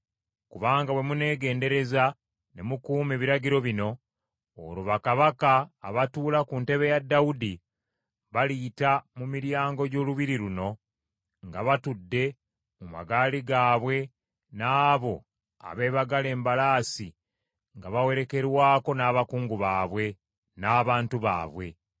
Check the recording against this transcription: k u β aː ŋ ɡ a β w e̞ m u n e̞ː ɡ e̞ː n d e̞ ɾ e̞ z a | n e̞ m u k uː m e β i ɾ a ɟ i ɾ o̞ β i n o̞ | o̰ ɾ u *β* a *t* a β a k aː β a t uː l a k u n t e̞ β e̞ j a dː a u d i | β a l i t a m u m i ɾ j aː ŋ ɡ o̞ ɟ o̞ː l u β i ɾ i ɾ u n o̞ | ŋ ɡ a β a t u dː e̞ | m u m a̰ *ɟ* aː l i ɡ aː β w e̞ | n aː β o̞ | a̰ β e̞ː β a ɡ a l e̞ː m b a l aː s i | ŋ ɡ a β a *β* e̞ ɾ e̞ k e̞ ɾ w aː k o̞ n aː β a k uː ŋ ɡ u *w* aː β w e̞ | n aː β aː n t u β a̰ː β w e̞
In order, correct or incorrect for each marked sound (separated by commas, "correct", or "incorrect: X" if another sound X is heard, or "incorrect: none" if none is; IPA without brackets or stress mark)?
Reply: correct, incorrect: k, incorrect: ɡ, incorrect: w, incorrect: β